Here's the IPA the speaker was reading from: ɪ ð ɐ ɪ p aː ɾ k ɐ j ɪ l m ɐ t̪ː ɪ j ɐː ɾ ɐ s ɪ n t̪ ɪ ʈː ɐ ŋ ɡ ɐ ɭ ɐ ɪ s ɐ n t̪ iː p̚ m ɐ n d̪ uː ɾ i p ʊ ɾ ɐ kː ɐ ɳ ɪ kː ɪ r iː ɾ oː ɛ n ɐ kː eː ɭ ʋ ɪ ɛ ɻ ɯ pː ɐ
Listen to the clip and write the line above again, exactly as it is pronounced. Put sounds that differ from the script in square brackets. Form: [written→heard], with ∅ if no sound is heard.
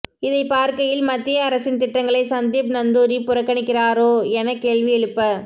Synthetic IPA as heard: ɪ ð ɐ ɪ p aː ɾ k ɐ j ɪ l m ɐ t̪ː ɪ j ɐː ɾ ɐ s ɪ n t̪ ɪ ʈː ɐ ŋ ɡ ɐ ɭ ɐ ɪ s ɐ n [t̪→d̪] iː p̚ [m→n] ɐ n d̪ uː ɾ i p ʊ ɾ ɐ kː ɐ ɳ ɪ kː ɪ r [iː→aː] ɾ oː ɛ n ɐ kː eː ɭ ʋ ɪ ɛ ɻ ɯ pː ɐ